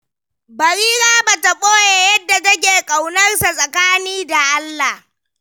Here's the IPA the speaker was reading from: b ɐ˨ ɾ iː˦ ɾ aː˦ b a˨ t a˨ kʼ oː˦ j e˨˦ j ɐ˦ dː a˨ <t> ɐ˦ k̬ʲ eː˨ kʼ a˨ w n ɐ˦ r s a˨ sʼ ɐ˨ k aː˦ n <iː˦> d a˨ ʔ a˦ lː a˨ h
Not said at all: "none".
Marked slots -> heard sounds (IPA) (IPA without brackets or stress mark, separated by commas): t, iː˦